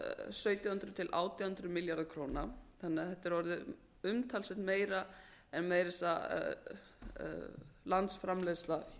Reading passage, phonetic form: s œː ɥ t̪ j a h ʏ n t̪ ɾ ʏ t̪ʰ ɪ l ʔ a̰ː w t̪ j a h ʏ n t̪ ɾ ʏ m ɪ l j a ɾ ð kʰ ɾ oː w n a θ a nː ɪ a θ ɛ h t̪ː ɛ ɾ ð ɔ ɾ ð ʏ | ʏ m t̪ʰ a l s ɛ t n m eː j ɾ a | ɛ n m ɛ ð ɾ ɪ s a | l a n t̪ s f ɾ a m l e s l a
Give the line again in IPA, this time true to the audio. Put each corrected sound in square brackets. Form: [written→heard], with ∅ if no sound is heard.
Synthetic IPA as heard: s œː ɥ t̪ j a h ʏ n t̪ ɾ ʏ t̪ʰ ɪ l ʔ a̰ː w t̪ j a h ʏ n t̪ ɾ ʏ m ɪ l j a ɾ ð kʰ ɾ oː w n a θ a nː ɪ a θ ɛ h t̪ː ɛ ɾ [ð→v] ɔ ɾ ð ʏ | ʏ m t̪ʰ a l s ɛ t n m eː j ɾ a | ɛ n m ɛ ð ɾ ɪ s a | l a n t̪ s f ɾ a m l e s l a